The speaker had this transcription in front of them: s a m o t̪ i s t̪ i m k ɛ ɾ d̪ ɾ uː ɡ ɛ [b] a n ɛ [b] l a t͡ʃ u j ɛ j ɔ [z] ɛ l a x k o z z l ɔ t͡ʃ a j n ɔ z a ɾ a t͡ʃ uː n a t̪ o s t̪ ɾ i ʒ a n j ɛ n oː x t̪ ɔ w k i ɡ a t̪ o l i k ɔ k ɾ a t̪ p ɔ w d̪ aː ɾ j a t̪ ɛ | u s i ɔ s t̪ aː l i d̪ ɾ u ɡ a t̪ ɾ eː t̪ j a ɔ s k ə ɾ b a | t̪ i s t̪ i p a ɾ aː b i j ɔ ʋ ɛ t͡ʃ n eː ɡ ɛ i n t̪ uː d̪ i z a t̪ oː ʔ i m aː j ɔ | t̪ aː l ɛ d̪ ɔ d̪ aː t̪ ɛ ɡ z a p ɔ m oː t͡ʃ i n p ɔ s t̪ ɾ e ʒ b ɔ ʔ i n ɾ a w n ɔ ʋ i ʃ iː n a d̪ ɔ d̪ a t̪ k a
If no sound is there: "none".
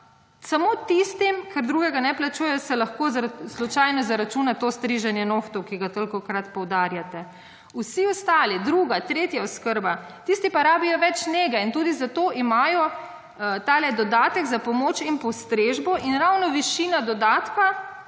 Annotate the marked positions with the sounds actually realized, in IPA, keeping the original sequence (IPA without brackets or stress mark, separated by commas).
ɡ, p, s